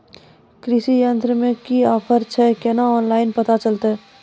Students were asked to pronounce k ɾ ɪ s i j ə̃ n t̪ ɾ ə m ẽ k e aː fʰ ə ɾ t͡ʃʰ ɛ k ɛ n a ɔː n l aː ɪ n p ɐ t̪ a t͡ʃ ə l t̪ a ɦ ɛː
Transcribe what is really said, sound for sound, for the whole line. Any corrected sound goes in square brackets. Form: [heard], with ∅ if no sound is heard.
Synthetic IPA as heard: k ɾ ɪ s i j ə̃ n t̪ ɾ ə m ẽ k [i] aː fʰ ə ɾ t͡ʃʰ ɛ k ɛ n a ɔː n l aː ɪ n p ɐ t̪ a t͡ʃ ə l t̪ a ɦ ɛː